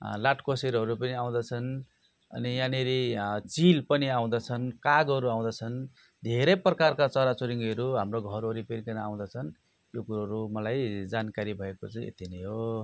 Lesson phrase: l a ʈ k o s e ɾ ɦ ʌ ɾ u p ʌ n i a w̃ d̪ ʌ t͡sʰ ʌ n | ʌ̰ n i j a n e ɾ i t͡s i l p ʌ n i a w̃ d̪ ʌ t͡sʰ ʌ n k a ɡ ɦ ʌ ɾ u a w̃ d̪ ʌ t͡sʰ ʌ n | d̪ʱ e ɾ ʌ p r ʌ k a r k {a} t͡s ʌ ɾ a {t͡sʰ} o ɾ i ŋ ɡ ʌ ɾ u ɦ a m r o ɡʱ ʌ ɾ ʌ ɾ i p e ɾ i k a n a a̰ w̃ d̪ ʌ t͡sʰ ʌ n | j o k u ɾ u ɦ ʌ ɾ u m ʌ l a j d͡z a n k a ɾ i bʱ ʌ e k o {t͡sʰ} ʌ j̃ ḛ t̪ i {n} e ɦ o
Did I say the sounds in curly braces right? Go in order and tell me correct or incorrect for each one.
correct, incorrect, incorrect, correct

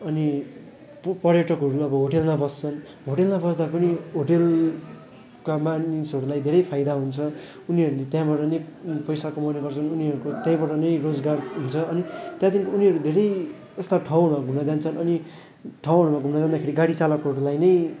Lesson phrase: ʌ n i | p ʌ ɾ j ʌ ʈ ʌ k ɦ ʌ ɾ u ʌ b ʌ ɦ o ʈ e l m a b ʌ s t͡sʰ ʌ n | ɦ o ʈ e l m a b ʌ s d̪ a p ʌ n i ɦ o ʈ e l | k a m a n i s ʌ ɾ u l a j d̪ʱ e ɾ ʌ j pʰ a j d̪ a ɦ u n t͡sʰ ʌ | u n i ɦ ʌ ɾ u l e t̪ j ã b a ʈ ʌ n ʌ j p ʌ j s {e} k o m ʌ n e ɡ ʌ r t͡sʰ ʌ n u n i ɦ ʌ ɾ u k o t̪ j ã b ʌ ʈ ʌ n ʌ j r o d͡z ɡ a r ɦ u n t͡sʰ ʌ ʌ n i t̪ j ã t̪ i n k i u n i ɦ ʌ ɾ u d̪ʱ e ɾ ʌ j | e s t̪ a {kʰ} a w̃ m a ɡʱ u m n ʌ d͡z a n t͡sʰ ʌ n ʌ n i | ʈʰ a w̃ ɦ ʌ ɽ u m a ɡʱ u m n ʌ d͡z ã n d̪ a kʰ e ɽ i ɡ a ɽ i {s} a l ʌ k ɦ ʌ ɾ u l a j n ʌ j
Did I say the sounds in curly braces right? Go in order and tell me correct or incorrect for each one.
incorrect, incorrect, incorrect

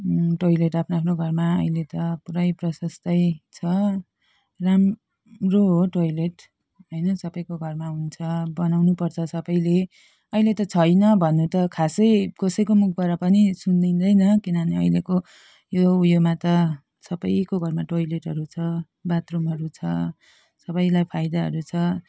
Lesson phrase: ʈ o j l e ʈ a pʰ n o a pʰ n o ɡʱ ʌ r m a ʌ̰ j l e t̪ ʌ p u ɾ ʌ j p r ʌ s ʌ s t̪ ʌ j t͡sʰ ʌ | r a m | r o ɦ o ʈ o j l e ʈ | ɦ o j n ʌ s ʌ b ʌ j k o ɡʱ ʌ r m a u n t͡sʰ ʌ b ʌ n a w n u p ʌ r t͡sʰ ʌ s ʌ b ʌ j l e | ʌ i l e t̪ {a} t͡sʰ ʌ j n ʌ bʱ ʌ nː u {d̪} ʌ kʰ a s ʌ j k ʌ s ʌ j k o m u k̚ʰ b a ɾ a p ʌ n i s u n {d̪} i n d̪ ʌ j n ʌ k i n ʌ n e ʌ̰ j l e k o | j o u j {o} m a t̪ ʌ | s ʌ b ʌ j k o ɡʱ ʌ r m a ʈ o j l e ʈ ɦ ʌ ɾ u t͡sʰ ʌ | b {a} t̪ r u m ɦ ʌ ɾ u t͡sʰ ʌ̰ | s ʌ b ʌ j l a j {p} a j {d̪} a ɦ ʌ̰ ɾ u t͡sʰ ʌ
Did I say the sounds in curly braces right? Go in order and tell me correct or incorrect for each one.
incorrect, incorrect, correct, correct, correct, incorrect, correct

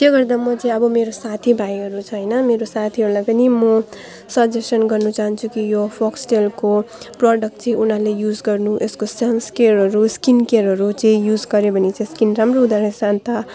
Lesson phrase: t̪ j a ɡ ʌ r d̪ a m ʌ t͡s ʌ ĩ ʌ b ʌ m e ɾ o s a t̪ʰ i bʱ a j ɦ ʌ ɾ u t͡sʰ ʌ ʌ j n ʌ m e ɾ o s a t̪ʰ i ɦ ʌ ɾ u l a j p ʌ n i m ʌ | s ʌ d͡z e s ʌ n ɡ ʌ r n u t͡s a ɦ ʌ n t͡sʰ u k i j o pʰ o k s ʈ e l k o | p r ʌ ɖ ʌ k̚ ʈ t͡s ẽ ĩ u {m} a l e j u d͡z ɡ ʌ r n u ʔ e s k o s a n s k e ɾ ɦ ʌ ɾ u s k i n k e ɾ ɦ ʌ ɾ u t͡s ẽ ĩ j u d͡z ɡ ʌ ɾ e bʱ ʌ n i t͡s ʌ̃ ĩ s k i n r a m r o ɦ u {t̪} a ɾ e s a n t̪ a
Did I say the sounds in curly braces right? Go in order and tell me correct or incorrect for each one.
incorrect, incorrect

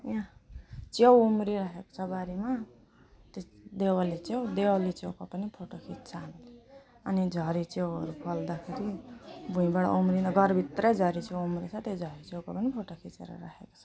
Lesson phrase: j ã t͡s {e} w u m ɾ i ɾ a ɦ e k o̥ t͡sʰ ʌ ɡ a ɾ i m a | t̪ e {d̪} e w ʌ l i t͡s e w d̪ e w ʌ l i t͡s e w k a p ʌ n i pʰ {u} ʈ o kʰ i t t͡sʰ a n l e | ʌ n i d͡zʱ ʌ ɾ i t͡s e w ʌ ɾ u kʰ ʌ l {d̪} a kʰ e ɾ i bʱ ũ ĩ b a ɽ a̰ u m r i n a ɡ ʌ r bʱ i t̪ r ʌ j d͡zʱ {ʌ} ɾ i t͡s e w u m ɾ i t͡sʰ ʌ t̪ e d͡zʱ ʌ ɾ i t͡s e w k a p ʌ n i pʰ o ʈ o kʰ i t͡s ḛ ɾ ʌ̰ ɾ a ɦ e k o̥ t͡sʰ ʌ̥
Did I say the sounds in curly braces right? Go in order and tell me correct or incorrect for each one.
correct, correct, incorrect, correct, correct

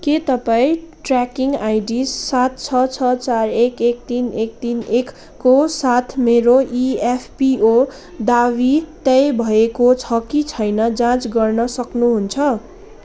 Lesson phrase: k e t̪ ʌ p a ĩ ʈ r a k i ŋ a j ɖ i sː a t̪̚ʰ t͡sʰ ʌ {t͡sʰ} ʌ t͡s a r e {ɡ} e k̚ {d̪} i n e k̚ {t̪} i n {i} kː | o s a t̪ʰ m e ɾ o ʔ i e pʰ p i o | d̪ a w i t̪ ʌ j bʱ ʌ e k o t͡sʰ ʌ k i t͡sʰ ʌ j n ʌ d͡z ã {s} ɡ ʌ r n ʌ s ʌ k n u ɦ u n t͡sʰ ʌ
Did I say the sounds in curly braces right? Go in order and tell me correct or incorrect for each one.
correct, incorrect, incorrect, correct, incorrect, incorrect

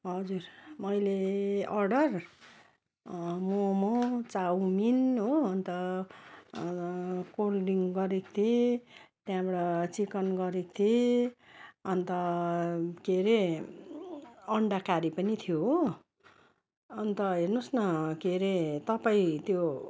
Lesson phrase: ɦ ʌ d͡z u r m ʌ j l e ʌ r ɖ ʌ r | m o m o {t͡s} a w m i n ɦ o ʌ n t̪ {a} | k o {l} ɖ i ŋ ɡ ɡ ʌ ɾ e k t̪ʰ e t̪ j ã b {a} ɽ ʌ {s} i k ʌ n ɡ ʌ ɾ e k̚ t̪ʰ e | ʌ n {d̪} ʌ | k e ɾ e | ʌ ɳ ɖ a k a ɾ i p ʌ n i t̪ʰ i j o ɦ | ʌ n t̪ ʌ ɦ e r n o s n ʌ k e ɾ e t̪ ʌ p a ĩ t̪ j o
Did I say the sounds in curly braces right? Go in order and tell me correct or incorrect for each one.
correct, incorrect, correct, incorrect, incorrect, incorrect

